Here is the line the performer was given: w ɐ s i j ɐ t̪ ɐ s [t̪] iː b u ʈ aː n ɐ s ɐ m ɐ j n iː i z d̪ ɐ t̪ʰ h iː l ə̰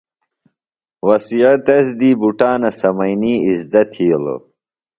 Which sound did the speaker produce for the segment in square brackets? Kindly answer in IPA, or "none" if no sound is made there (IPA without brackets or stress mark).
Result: d̪